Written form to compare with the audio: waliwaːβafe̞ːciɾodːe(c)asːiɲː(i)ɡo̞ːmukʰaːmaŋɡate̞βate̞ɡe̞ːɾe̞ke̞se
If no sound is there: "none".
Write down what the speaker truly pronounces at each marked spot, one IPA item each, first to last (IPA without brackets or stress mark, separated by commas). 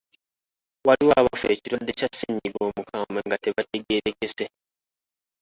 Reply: c, i